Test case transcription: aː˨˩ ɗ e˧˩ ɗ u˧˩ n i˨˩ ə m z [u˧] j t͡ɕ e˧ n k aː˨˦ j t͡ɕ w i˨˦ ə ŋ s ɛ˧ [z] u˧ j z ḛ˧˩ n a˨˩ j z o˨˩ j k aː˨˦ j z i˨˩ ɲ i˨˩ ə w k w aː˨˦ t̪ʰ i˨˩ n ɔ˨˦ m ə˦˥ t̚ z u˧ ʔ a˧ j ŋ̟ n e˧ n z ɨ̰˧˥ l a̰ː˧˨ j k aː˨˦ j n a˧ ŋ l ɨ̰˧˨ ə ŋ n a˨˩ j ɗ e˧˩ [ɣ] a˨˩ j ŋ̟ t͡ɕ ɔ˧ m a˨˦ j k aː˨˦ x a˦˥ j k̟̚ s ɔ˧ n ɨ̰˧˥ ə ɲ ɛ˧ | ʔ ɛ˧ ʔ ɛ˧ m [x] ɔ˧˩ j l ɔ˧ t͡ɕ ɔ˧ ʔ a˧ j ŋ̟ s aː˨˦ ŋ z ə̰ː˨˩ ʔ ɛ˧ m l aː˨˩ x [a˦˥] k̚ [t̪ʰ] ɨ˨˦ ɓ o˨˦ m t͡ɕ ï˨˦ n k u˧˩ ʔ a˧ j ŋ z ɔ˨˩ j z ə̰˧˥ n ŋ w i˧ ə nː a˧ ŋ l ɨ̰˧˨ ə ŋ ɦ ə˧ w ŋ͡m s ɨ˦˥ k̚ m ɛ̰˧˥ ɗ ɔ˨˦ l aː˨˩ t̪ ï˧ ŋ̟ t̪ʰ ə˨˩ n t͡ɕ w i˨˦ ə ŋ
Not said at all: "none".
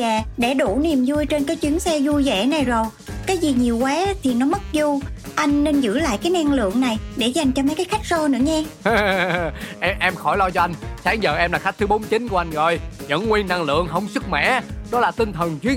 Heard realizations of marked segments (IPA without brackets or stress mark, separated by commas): u˧, z, z, x, a˦˥, t̪